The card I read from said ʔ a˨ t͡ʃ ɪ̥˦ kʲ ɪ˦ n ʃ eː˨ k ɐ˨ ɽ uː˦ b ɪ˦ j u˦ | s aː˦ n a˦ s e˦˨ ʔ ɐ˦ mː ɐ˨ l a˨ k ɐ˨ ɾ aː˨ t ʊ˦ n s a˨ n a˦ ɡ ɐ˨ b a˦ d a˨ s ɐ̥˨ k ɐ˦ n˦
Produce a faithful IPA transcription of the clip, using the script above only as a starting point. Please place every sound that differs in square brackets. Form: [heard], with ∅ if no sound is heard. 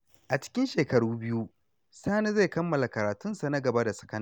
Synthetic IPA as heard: ʔ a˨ t͡ʃ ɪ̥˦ kʲ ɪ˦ n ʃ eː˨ k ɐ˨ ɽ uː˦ b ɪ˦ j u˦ | s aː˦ n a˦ [z] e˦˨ [k] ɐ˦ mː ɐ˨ l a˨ k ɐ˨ ɾ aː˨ t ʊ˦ n s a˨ n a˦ ɡ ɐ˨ b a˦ d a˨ s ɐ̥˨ k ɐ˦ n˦